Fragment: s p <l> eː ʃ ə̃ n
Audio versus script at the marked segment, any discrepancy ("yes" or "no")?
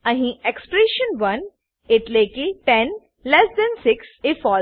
yes